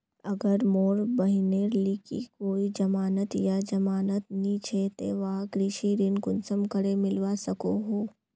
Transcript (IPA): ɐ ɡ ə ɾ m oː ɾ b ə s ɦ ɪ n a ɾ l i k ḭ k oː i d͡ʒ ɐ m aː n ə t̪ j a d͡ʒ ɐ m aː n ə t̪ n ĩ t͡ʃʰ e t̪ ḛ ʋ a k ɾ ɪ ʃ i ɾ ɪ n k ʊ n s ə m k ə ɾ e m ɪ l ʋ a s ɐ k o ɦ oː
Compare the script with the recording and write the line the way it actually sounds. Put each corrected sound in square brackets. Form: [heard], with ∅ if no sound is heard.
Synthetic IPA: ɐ ɡ ə ɾ m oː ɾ b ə [∅] ɦ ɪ n [e] ɾ l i k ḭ k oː i d͡ʒ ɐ m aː n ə t̪ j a d͡ʒ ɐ m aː n ə t̪ n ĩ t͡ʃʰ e t̪ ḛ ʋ a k ɾ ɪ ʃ i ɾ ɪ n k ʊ n s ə m k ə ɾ e m ɪ l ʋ a s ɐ k o ɦ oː

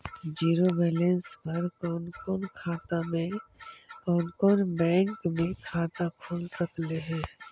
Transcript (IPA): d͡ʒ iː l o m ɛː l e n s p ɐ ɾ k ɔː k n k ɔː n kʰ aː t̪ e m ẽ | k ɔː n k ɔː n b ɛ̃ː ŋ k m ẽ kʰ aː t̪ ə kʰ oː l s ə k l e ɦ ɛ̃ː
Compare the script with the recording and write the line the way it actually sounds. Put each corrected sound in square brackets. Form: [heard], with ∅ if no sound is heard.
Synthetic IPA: d͡ʒ iː [ɾ] o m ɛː l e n s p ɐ ɾ k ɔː [∅] n k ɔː n kʰ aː t̪ [a] m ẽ | k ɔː n k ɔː n b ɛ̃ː ŋ k m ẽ kʰ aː t̪ [a] kʰ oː l s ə k l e ɦ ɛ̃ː

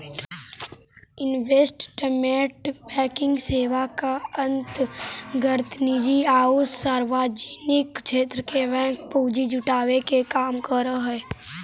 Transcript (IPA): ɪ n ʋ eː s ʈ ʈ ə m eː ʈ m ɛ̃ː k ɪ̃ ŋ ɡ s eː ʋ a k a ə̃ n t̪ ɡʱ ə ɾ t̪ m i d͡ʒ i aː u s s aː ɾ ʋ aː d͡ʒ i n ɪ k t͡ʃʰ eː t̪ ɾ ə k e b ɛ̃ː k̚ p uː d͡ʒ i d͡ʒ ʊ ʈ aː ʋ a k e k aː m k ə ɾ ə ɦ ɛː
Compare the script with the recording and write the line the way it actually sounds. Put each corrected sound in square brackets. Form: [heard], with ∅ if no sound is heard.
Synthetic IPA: ɪ n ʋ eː s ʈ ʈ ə m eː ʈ [b] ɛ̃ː k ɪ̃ ŋ ɡ s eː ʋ a k a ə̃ n t̪ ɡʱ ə ɾ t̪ [n] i d͡ʒ i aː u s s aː ɾ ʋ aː d͡ʒ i n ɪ k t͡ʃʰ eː t̪ ɾ ə k e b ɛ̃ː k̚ p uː d͡ʒ i d͡ʒ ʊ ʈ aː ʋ [e] k e k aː m k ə ɾ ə ɦ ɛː

